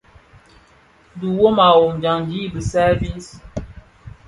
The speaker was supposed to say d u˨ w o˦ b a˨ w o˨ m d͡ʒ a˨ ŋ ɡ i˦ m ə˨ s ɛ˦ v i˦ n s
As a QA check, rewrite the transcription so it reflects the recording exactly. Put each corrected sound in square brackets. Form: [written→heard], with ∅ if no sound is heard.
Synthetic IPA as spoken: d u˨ w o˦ [b→m] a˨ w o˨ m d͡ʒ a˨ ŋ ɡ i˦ [m→b] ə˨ s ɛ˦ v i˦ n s